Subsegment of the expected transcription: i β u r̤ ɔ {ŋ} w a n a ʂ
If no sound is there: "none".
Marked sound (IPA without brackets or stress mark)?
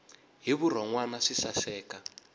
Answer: ŋ